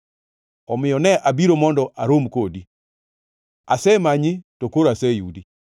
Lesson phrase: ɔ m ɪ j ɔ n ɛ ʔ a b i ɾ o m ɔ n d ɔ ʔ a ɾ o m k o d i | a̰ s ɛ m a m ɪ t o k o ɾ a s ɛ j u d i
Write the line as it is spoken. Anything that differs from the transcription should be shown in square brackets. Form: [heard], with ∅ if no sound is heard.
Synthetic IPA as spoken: ɔ m ɪ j ɔ n ɛ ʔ a b i ɾ o m ɔ n d ɔ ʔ a ɾ o m k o d i | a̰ s ɛ m a [ɲ] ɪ t o k o ɾ a s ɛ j u d i

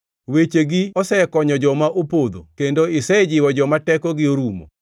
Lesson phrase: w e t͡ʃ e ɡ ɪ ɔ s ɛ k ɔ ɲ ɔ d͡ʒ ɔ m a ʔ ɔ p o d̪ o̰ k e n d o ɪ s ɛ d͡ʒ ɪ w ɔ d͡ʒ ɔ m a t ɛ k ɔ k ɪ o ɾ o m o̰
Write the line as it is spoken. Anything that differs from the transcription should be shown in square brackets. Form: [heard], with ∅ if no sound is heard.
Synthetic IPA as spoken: w e t͡ʃ e ɡ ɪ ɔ s ɛ k ɔ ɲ ɔ d͡ʒ ɔ m a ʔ [o] p o d̪ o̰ k e n d o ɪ s ɛ d͡ʒ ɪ w ɔ d͡ʒ ɔ m a t ɛ k ɔ [ɡ] ɪ o ɾ [u] m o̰

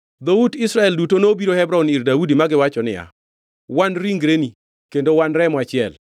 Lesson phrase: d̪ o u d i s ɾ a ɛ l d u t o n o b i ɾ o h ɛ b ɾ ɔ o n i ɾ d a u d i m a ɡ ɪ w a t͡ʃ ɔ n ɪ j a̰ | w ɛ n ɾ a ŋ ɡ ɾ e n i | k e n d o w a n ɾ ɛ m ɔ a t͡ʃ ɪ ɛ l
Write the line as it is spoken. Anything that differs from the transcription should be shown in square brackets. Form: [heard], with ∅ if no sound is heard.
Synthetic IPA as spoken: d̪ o u d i s ɾ a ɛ l d u t o n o b i ɾ o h ɛ b ɾ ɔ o n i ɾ d a u d i m a ɡ ɪ w a t͡ʃ ɔ n ɪ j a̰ | w [a] n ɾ [i] ŋ ɡ ɾ e n i | k e n d o w a n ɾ ɛ m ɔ a t͡ʃ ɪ ɛ l

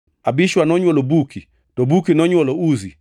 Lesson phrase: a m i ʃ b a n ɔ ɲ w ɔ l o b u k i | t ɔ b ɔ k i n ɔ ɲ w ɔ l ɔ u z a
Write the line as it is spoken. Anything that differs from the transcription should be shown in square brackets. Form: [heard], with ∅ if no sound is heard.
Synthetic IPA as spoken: a [b] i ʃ [w] a n ɔ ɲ w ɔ l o b u k i | t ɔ b [u] k i n ɔ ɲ w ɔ l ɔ u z [i]

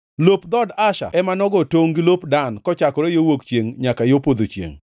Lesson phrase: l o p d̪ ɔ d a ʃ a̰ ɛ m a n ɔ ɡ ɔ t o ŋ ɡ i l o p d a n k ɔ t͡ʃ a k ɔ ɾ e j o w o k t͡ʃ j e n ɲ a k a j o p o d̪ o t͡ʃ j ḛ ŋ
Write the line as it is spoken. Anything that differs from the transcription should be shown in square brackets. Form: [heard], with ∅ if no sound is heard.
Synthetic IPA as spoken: l o p d̪ ɔ d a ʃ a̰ ɛ m a n ɔ ɡ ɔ t o ŋ ɡ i l o p d a n k ɔ t͡ʃ a k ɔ ɾ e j o w o k t͡ʃ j e [ŋ] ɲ a k a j o p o d̪ o t͡ʃ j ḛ ŋ

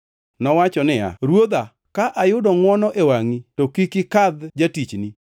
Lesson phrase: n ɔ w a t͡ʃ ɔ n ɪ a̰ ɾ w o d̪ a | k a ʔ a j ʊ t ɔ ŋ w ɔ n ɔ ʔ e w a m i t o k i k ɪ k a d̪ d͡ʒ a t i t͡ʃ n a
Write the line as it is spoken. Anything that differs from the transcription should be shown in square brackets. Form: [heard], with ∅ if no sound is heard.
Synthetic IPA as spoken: n ɔ w a t͡ʃ ɔ n ɪ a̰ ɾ w o d̪ a | k a ʔ a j ʊ [d] ɔ ŋ w ɔ n ɔ ʔ e w a [ŋ] i t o k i k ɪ k a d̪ d͡ʒ a t i t͡ʃ n [i]

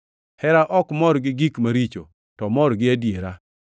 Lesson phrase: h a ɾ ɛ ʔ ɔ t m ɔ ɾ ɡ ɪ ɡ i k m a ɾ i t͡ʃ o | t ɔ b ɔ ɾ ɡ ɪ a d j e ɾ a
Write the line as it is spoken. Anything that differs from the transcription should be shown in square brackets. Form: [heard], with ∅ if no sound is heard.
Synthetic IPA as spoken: h [ɛ] ɾ [a] ʔ ɔ [k] m ɔ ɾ ɡ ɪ ɡ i k m a ɾ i t͡ʃ o | t ɔ [m] ɔ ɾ ɡ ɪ a d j e ɾ a

